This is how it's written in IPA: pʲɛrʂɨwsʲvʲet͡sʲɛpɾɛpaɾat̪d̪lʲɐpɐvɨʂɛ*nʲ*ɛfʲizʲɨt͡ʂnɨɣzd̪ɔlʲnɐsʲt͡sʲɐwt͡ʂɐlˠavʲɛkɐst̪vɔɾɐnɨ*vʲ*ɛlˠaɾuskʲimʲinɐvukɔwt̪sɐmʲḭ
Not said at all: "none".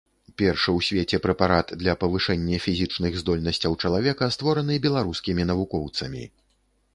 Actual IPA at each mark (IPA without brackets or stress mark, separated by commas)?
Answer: nʲː, bʲ